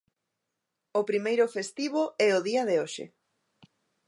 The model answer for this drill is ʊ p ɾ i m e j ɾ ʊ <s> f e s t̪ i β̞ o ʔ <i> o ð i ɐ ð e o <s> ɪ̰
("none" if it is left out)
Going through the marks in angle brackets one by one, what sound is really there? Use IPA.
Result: none, ɛ, ʃ

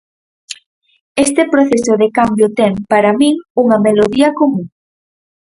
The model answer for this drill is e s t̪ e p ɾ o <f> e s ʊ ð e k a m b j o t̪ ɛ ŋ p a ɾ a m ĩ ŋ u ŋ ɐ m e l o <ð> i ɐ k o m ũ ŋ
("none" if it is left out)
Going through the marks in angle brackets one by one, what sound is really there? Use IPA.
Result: θ, ð

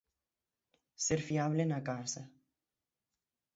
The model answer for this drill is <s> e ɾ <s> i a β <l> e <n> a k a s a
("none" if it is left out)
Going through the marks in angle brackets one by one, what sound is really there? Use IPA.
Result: s, f, l, n

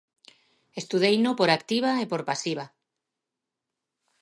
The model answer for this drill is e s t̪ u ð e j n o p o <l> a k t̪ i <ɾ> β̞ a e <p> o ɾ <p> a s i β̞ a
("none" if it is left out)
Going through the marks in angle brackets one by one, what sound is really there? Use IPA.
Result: ɾ, none, p, p

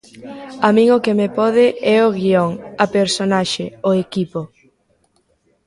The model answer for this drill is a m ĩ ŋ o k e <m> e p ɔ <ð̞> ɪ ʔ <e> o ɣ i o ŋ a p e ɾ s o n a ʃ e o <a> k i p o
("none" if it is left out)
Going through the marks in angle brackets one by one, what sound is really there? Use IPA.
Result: m, ð̞, ɛ, e

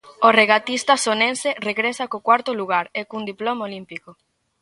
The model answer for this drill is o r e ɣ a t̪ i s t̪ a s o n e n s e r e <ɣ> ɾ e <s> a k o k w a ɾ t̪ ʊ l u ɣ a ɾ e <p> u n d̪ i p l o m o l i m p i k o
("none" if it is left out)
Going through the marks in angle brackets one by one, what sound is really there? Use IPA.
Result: ɣ, s, k

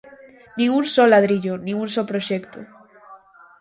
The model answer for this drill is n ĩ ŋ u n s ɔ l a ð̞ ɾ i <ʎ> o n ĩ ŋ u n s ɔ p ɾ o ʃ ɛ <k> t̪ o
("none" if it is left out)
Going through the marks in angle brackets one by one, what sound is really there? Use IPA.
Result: ʎ, k

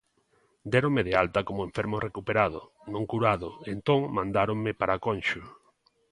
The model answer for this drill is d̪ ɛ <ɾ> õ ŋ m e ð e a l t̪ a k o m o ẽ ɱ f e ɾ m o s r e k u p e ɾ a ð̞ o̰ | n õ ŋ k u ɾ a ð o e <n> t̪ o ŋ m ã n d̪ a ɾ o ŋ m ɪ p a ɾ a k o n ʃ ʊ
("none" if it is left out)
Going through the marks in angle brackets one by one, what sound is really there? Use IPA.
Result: ɾ, n

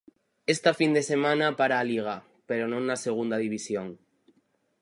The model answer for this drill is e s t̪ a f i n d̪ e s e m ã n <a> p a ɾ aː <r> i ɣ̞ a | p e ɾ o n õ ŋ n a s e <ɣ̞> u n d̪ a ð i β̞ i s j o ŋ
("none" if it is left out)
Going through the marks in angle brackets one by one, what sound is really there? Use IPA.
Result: a, l, ɣ̞

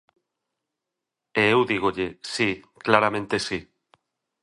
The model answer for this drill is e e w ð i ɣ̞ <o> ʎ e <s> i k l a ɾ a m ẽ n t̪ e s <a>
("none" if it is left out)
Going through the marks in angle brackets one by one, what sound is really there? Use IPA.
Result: o, s, i

